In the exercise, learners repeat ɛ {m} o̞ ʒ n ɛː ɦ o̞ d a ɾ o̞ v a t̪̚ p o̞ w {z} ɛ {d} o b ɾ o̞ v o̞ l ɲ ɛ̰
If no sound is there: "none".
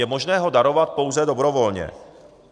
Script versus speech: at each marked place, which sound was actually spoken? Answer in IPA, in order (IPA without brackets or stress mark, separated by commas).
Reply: m, z, d